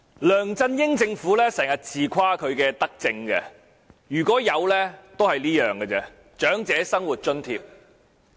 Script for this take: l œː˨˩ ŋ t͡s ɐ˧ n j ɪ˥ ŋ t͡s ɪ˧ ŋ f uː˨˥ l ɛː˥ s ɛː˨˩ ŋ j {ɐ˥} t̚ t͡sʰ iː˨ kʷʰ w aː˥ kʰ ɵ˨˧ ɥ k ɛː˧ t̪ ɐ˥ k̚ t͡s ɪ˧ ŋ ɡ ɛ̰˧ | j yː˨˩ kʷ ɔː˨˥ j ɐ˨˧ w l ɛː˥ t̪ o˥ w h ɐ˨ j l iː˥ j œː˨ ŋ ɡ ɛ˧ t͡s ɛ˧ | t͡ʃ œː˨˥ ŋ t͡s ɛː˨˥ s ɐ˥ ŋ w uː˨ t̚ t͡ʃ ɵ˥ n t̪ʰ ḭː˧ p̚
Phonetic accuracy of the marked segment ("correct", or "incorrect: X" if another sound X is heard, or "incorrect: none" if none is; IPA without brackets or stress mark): incorrect: ɐ˨